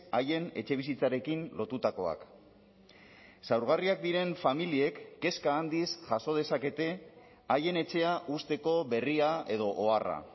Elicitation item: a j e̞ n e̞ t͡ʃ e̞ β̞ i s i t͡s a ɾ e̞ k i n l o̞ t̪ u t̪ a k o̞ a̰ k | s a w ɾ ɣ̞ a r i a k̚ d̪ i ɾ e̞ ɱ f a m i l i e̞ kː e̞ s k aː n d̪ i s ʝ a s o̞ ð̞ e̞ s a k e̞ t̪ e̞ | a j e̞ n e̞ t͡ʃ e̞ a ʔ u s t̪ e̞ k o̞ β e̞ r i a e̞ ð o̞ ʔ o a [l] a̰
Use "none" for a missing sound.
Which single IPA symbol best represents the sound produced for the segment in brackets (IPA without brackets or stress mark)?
r